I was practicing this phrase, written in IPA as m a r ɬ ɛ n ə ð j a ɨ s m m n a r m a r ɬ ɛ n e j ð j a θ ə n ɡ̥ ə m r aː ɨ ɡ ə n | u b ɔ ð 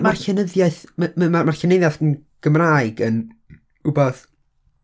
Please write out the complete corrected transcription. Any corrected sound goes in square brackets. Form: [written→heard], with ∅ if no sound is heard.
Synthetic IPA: m a r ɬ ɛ n ə ð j a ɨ [s→θ] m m [n→m] a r m a r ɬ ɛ n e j ð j a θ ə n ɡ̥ ə m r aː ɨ ɡ ə n | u b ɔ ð